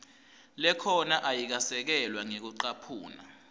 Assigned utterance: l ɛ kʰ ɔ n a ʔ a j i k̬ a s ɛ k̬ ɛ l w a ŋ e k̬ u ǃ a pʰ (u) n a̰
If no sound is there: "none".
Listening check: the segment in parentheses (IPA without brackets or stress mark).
uː